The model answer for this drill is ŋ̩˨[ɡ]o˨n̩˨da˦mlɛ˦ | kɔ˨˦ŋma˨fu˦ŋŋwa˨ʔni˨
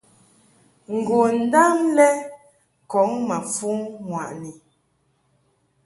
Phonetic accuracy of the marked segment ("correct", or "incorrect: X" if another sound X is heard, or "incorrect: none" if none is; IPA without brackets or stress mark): correct